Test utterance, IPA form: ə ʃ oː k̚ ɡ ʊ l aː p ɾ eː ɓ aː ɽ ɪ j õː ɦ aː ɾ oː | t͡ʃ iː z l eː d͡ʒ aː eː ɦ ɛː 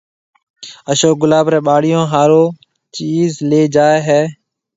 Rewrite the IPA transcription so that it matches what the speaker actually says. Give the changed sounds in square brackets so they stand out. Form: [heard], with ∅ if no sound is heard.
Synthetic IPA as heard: ə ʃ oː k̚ ɡ ʊ l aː [b] ɾ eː ɓ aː ɽ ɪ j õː ɦ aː ɾ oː | t͡ʃ iː z l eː d͡ʒ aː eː ɦ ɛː